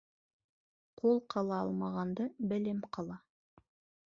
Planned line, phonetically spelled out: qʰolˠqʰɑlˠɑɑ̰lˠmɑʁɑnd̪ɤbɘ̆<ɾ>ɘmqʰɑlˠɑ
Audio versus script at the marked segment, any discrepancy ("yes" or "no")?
yes